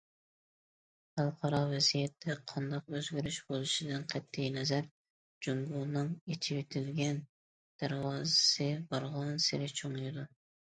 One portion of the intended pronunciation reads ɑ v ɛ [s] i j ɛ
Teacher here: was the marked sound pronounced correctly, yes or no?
no